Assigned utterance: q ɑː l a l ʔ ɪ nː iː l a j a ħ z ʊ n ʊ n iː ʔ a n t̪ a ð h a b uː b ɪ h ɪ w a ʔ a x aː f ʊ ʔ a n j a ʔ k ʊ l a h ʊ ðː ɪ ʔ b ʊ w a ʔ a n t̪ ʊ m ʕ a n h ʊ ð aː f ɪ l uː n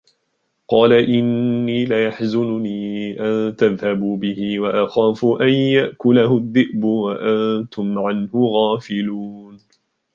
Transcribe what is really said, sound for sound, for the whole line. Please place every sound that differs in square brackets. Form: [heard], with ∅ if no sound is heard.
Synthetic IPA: q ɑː l a [∅] ʔ ɪ nː iː l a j a ħ z ʊ n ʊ n iː ʔ a n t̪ a ð h a b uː b ɪ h ɪ w a ʔ a x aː f ʊ ʔ a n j a ʔ k ʊ l a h ʊ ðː ɪ ʔ b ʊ w a ʔ a n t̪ ʊ m ʕ a n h ʊ [ɣ] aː f ɪ l uː n